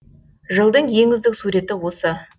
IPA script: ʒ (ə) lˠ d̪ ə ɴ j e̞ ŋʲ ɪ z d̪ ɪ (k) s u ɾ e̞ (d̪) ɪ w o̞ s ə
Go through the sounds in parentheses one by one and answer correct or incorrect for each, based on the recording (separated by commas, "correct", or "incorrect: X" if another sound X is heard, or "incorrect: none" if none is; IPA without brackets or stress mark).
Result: correct, correct, incorrect: t̪